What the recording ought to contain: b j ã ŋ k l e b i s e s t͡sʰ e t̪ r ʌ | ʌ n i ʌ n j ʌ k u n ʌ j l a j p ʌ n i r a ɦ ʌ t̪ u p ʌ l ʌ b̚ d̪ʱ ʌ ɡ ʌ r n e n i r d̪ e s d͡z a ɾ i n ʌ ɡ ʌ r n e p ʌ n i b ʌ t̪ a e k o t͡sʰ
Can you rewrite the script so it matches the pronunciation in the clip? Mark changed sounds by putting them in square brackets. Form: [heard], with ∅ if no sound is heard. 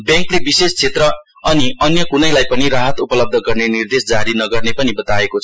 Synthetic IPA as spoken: b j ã ŋ k l e b i s e s t͡sʰ e t̪ r ʌ | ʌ n i ʌ n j ʌ k u n ʌ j l a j p ʌ n i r a ɦ ʌ t̪ u p ʌ l ʌ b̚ d̪ʱ ʌ ɡ ʌ r n e n i r d̪ e s d͡z a ɾ i n ʌ ɡ ʌ r n e p ʌ n i b ʌ t̪ a e k o t͡sʰ